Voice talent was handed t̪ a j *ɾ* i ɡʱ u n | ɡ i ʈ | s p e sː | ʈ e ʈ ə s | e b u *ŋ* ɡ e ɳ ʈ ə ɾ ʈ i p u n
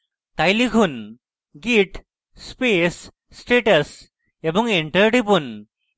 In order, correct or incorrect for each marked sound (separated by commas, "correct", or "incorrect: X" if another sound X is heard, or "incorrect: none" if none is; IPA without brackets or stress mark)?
incorrect: l, correct